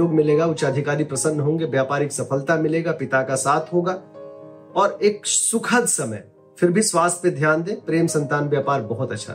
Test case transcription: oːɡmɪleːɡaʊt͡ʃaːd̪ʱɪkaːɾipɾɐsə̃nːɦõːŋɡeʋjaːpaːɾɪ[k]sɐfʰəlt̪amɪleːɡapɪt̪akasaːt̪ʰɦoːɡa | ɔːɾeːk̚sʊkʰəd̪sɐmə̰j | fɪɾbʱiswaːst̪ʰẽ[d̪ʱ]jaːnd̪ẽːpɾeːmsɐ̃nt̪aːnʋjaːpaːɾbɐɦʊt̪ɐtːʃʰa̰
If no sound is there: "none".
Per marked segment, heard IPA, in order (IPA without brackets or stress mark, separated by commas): k, d̪ʱ